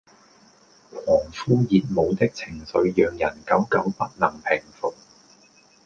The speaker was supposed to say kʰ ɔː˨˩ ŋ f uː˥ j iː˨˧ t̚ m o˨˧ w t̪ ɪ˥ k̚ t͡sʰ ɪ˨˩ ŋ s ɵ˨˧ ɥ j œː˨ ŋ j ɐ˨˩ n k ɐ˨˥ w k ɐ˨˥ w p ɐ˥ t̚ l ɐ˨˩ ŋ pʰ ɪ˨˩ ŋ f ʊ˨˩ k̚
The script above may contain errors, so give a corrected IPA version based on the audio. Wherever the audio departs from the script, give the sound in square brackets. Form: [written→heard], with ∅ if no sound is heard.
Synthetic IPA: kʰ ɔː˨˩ ŋ f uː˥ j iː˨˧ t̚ m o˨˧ w t̪ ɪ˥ k̚ t͡sʰ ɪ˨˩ ŋ s ɵ˨˧ ɥ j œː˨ ŋ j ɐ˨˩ n k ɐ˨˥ w k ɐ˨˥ w p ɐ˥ t̚ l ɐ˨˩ ŋ pʰ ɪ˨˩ ŋ f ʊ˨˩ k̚